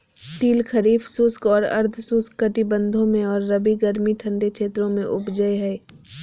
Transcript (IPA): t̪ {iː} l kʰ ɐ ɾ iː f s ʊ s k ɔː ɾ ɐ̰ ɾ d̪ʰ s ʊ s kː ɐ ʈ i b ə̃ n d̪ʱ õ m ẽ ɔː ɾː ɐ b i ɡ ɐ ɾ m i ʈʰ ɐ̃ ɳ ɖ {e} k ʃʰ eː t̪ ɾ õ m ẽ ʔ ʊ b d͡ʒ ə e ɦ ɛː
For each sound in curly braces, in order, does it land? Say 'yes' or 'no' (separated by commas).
yes, yes